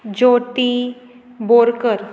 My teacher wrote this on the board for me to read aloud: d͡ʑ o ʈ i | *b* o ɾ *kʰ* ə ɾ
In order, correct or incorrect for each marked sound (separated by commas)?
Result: correct, incorrect